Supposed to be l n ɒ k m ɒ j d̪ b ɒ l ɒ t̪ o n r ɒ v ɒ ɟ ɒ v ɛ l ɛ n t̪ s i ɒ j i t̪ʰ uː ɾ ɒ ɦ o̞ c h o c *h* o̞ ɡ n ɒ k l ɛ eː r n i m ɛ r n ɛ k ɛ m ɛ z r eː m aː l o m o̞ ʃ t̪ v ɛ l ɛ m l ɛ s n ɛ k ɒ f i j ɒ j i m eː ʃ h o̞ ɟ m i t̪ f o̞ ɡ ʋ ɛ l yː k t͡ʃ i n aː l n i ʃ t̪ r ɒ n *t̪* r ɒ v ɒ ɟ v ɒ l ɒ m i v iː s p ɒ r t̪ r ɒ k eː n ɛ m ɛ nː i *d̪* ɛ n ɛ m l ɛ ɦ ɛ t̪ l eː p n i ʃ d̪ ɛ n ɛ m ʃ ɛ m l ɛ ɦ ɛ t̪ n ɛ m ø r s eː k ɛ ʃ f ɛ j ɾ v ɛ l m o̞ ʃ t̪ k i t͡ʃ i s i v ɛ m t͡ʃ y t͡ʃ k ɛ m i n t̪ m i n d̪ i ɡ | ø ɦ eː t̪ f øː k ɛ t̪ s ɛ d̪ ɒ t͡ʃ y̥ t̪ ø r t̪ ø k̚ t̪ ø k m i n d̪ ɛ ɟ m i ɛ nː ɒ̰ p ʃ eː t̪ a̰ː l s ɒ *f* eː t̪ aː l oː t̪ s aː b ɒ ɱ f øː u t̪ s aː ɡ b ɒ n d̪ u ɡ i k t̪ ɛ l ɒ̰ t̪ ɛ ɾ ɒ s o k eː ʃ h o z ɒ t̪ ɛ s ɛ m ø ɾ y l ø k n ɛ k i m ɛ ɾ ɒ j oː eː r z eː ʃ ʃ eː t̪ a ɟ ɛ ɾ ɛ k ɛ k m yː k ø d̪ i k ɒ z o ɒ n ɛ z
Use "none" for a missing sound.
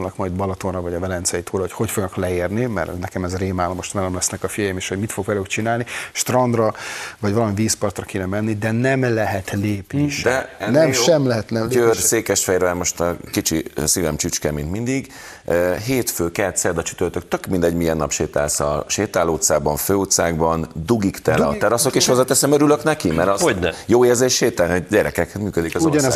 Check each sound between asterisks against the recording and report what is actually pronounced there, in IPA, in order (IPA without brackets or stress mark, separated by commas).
f, d̪, d̪, ʃ